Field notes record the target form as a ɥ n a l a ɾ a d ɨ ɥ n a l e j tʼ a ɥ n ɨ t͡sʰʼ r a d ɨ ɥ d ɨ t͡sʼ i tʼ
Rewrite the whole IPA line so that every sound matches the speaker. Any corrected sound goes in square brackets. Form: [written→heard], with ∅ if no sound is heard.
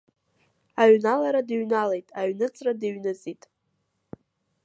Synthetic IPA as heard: a ɥ n a l a ɾ a d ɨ ɥ n a l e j tʼ a ɥ n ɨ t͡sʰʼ r a d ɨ ɥ [d→n] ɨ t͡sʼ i tʼ

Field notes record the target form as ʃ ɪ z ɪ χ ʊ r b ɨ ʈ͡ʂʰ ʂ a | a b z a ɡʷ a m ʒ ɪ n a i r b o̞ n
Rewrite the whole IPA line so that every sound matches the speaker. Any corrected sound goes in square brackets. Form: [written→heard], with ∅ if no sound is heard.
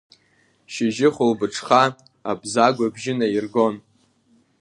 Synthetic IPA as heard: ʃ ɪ [z→ʒ] ɪ χ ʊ [r→l] b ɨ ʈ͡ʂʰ [ʂ→χ] a | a b z a ɡʷ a [m→b] ʒ ɪ n a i r [b→ɡ] o̞ n

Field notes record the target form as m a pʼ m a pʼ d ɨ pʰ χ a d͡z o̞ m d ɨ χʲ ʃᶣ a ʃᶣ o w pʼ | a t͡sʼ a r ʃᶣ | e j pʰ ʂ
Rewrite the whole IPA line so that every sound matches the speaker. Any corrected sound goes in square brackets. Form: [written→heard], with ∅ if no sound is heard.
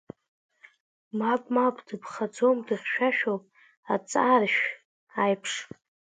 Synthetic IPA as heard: m a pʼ m a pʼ d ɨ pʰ χ a d͡z o̞ m d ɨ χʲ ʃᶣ a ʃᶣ o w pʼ | a t͡sʼ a r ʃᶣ | [e→a] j pʰ ʂ

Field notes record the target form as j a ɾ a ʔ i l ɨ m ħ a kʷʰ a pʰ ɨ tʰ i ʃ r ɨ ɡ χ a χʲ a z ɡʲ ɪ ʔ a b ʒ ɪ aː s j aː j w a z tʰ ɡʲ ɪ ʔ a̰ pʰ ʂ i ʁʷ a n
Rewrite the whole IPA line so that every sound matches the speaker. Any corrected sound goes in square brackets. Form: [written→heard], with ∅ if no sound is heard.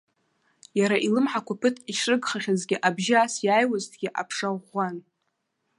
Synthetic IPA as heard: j a ɾ a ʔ i l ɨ m ħ a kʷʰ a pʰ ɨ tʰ i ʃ r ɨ ɡ χ a χʲ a z ɡʲ ɪ ʔ a b ʒ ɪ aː s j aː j w a z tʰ ɡʲ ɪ ʔ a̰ pʰ ʂ [i→a] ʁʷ a n

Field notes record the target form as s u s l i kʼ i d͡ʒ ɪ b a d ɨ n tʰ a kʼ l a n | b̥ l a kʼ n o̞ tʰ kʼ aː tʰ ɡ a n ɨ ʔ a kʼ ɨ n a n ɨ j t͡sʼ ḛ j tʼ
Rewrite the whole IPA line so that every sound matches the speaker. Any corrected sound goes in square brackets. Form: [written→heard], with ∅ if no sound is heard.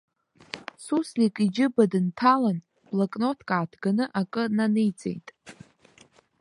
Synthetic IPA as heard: s u s l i kʼ i d͡ʒ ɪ b a d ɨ n tʰ a [kʼ→∅] l a n | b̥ l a kʼ n o̞ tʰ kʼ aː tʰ ɡ a n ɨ ʔ a kʼ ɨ n a n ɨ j t͡sʼ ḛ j tʼ

